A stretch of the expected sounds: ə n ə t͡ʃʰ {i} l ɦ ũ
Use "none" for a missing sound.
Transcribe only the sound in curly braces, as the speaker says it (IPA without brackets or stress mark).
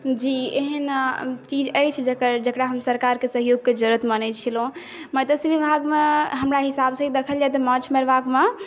i